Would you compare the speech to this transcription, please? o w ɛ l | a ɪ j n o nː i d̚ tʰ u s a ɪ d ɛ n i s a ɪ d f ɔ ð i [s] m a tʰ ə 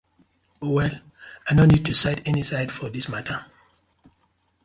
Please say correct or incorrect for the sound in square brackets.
correct